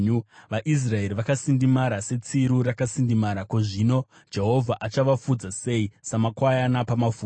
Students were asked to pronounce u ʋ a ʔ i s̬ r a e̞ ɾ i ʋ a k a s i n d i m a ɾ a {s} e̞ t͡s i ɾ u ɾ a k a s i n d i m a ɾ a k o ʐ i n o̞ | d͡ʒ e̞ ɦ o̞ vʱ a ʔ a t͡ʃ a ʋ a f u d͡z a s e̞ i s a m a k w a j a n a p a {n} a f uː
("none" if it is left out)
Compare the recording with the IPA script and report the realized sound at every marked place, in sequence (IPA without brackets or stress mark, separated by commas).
s, m